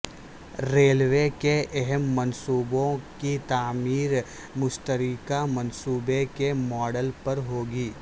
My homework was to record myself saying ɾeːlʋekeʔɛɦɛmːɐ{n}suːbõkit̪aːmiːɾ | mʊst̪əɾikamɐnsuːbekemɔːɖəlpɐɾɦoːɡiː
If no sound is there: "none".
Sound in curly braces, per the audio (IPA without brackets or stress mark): n